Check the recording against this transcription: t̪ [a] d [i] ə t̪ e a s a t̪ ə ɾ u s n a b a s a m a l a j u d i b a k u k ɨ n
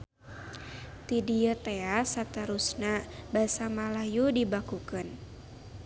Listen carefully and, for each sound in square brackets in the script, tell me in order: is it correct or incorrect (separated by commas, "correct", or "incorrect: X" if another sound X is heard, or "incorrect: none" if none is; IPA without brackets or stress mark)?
incorrect: i, correct